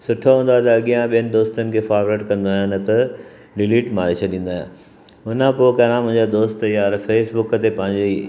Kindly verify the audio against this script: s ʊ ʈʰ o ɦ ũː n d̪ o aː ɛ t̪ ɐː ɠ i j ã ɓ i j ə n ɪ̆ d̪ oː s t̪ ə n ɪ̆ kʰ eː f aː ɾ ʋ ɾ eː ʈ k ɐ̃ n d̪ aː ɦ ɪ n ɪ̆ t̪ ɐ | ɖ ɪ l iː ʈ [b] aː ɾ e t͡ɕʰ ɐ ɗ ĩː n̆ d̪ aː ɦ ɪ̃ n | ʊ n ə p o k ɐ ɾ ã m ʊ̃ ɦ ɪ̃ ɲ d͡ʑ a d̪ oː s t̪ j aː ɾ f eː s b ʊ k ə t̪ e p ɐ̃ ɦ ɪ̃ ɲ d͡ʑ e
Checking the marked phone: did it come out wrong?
yes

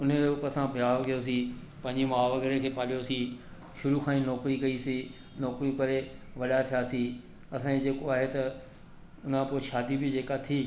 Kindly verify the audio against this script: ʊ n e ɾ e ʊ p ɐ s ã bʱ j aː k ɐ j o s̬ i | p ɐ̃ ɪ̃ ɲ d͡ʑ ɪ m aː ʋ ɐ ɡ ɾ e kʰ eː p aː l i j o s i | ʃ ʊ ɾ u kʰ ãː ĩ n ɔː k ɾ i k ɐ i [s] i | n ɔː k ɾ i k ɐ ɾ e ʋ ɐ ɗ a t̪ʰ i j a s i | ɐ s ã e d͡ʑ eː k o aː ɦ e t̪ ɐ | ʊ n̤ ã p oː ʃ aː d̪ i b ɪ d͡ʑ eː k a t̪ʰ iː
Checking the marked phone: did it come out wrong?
no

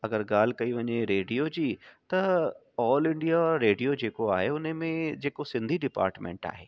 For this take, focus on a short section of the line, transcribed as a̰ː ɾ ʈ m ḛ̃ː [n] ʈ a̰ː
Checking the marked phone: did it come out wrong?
yes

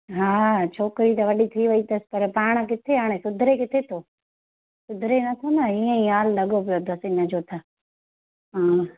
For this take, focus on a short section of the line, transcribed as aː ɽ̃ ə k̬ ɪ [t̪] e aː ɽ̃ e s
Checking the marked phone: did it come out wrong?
yes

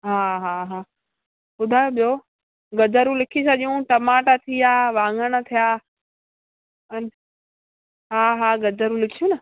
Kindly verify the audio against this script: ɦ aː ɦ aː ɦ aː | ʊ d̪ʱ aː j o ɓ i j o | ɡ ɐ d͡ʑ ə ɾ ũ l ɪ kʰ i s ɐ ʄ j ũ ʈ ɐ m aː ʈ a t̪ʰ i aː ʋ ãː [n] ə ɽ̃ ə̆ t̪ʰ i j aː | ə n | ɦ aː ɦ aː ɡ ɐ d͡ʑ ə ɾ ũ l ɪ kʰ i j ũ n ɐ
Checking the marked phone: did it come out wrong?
yes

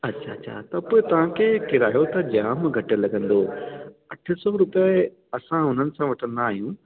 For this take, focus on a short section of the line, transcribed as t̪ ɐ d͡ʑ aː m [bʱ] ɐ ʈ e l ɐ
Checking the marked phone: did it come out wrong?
yes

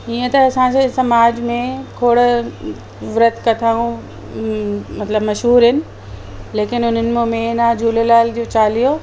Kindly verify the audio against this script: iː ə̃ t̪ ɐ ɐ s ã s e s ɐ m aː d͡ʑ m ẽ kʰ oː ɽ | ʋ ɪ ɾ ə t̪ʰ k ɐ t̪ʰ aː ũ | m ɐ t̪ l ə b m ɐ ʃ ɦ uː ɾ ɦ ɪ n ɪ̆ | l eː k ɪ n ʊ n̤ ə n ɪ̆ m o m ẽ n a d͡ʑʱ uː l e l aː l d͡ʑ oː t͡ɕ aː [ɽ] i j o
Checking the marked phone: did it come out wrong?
yes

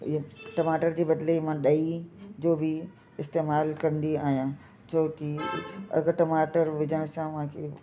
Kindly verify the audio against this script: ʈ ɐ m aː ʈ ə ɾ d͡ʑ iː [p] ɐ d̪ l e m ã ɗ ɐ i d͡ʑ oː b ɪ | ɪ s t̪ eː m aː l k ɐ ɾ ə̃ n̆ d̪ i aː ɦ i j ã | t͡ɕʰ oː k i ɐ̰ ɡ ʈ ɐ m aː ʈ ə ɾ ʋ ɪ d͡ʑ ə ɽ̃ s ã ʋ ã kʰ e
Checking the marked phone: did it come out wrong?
yes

